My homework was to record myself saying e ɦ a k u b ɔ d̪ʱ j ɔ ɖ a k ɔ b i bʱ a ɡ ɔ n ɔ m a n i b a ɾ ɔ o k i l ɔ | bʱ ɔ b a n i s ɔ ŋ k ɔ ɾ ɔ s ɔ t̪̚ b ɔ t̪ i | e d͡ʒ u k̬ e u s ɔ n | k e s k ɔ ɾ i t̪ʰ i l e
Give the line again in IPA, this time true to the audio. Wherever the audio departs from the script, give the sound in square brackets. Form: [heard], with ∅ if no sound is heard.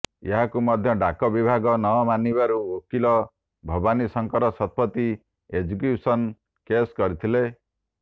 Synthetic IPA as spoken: e ɦ a k u [m] ɔ d̪ʱ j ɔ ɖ a k ɔ b i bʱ a ɡ ɔ n ɔ m a n i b a ɾ [u] o k i l ɔ | bʱ ɔ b a n i s ɔ ŋ k ɔ ɾ ɔ s ɔ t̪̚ [p] ɔ t̪ i | e d͡ʒ u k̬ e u s ɔ n | k e s k ɔ ɾ i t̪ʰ i l e